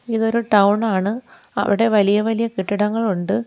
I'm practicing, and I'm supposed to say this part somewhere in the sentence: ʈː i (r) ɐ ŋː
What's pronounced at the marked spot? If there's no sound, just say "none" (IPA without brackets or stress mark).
ɽ